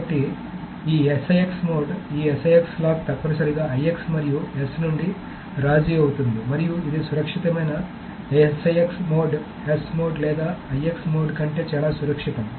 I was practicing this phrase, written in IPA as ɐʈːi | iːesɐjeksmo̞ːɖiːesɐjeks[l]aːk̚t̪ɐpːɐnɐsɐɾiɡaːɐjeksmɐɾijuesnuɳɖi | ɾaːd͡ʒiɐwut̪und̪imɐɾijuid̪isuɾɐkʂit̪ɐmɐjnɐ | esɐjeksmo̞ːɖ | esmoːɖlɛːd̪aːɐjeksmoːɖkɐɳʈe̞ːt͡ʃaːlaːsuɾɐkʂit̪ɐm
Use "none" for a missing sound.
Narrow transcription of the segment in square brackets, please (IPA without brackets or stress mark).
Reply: l